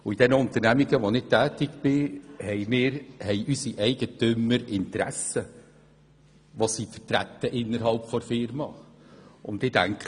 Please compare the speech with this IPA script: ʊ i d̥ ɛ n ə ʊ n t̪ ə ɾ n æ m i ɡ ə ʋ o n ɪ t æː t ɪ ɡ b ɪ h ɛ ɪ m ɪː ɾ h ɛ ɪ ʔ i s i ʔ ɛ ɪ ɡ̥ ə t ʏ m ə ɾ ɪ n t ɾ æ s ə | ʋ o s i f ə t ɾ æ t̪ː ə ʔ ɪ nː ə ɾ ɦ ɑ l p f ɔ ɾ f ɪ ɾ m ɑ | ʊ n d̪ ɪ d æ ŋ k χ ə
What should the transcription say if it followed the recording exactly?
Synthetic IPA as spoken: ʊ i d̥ ɛ n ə ʊ n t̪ ə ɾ n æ m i ɡ ə ʋ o n ɪ t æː t ɪ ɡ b ɪ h ɛ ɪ m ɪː ɾ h ɛ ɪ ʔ y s i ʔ ɛ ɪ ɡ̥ ə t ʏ m ə ɾ ɪ n t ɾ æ s ə | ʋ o s i f ə t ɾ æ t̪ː ə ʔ ɪ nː ə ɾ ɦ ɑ l p f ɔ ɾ f ɪ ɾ m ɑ | ʊ n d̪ ɪ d æ ŋ k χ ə